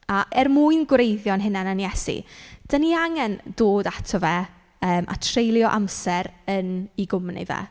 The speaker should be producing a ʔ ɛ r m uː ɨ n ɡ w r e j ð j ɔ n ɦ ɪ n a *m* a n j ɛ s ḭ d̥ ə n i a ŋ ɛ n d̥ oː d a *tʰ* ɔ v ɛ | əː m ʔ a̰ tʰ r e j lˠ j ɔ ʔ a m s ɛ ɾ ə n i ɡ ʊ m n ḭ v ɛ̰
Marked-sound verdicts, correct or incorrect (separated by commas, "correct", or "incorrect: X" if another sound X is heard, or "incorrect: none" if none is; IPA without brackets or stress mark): incorrect: n, correct